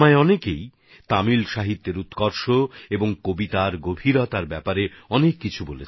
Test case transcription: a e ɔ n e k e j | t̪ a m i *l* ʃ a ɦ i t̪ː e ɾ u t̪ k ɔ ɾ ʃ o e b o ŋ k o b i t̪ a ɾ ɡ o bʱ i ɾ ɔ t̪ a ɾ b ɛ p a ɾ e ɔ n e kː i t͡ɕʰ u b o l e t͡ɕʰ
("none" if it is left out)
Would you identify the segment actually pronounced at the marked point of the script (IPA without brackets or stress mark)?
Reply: l